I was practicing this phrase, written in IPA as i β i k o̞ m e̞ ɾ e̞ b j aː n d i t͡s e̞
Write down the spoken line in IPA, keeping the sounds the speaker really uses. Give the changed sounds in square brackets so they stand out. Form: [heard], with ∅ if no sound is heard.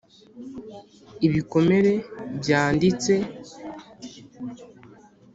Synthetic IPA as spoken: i β i k o̞ m e̞ ɾ e̞ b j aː n d i t͡s e̞